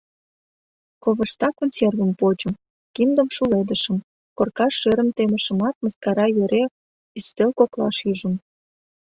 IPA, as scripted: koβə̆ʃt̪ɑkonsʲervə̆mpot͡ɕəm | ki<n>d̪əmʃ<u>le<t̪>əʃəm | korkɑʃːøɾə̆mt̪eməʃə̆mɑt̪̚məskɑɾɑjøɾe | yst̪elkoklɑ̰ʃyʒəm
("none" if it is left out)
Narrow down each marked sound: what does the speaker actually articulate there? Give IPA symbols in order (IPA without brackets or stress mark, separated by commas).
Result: m, u, d̪